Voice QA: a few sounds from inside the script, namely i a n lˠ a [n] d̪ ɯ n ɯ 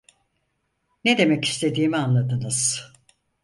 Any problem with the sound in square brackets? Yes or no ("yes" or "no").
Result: yes